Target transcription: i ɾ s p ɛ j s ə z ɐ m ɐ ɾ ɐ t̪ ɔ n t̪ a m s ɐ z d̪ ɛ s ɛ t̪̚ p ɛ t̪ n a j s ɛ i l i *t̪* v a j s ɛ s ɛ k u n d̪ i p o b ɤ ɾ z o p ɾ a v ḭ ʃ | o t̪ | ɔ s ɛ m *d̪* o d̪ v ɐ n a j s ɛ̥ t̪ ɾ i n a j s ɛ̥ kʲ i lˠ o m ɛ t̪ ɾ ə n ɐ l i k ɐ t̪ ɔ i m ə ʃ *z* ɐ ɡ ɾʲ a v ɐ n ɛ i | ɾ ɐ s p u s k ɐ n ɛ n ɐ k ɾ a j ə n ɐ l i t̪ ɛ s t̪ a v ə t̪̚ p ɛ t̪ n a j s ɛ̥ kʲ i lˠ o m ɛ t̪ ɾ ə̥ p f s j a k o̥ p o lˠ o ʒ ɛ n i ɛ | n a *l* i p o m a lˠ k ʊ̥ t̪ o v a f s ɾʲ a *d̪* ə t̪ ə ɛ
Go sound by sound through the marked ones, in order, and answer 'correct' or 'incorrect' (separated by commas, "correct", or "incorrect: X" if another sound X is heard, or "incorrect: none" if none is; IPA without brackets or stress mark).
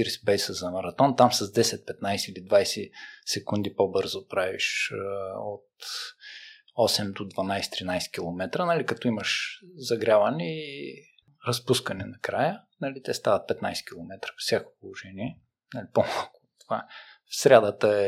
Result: incorrect: d̪, correct, correct, correct, correct